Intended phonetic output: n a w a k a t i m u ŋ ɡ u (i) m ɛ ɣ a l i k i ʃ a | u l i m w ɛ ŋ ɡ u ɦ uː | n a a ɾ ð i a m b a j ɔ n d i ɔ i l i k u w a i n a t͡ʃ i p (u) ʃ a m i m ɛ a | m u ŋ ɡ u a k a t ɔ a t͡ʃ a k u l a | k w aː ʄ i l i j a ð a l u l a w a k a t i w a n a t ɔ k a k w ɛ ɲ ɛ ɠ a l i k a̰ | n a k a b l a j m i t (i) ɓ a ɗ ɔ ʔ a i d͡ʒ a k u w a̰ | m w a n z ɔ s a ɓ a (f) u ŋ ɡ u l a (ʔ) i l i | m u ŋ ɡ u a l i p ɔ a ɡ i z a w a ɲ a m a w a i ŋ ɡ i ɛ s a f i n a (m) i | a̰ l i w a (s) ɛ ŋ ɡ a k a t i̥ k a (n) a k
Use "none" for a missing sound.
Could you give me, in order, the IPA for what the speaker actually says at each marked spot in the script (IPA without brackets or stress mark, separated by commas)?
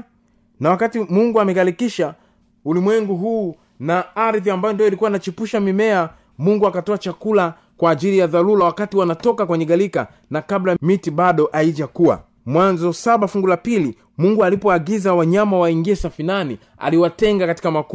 a, u, i, f, p, n, t, m